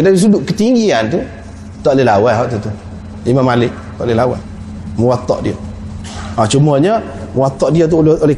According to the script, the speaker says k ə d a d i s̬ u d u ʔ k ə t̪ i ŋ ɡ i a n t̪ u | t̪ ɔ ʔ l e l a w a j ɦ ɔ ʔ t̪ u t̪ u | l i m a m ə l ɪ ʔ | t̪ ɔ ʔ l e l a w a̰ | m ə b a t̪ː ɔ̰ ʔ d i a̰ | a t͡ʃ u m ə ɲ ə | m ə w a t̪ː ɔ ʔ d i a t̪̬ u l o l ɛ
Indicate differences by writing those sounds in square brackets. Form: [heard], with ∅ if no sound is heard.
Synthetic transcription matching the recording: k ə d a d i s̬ u d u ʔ k ə t̪ i ŋ ɡ i a n t̪ u | t̪ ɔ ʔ l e l a w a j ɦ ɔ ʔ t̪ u t̪ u | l i m a m [a] l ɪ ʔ | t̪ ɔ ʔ l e l a w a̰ | m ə [w] a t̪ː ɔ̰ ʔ d i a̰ | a t͡ʃ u m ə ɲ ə | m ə w a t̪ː ɔ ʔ d i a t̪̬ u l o l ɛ